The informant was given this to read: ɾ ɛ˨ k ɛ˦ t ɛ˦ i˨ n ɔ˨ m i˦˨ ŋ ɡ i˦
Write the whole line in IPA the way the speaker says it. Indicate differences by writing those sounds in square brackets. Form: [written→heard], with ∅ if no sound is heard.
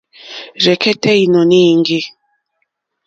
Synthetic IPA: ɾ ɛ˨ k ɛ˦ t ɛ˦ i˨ n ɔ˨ [m→n] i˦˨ ŋ ɡ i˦